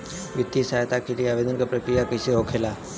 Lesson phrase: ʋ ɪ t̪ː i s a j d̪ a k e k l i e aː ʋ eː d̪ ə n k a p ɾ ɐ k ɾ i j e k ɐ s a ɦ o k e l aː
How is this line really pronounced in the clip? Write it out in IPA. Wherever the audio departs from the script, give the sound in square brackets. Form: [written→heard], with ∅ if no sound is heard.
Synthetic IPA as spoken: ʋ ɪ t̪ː i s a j [d̪→t̪] a k e [k→∅] l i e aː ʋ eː d̪ ə n k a p ɾ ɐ k ɾ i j [e→a] k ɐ s [a→e] ɦ o [k→kʰ] e l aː